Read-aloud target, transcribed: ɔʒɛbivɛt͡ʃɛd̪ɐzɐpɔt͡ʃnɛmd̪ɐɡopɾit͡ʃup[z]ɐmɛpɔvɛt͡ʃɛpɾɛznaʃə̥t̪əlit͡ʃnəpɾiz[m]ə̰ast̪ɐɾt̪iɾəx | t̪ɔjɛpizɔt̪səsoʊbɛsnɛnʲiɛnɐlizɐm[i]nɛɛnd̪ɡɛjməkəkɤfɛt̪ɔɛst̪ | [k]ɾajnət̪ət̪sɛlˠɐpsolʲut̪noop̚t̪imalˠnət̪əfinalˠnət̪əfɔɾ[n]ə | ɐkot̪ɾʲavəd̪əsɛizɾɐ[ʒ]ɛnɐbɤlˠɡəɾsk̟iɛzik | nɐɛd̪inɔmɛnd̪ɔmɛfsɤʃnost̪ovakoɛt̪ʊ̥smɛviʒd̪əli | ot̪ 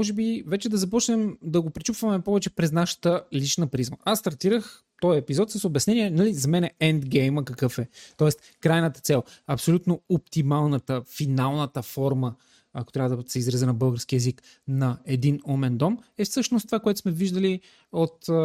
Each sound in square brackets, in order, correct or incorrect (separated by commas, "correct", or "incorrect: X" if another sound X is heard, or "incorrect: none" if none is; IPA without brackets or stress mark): incorrect: v, correct, incorrect: ɛ, correct, incorrect: m, incorrect: z